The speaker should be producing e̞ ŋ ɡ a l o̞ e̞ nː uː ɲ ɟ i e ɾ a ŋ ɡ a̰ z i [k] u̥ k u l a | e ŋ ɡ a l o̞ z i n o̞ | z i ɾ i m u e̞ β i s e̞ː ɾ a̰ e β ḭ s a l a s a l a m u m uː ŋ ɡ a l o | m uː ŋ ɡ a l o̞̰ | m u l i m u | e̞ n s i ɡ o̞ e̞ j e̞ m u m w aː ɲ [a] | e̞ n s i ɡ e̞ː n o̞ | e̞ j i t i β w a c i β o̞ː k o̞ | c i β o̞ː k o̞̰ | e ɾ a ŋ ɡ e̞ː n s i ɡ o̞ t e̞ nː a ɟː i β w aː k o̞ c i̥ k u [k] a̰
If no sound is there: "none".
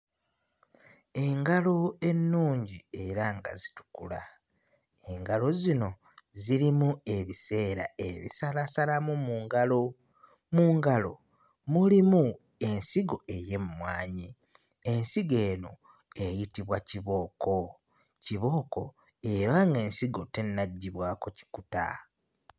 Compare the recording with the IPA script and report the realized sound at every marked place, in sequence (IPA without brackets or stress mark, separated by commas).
t, i, t